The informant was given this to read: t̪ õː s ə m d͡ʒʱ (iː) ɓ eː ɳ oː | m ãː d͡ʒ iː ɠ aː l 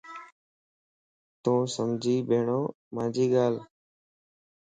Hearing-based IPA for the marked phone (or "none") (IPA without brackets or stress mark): iː